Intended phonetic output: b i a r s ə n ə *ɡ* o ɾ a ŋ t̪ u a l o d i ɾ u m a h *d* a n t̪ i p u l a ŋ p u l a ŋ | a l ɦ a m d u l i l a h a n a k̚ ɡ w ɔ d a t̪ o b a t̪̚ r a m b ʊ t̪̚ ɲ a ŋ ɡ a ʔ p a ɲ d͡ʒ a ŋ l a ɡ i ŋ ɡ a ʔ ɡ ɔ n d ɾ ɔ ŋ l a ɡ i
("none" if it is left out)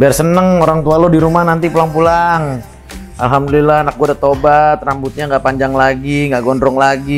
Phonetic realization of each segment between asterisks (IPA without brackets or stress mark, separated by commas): ŋ, n